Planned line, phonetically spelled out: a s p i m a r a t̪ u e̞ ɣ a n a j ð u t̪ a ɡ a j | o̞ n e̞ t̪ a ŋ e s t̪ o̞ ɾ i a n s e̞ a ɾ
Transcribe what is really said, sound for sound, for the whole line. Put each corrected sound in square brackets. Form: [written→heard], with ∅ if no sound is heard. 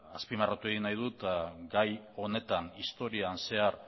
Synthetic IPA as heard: a s p i m a r a t̪ u e̞ ɣ [a→i] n a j ð u t̪ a ɡ a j | o̞ n e̞ t̪ a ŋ [e→i] s t̪ o̞ ɾ i a n s e̞ a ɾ